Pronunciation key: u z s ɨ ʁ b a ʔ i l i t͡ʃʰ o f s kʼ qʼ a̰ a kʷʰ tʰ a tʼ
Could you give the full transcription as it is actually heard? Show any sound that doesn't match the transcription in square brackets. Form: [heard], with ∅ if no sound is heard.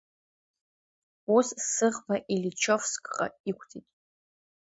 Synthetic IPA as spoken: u [s] s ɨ ʁ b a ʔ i l i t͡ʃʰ o f s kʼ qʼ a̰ [i] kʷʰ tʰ [i] tʼ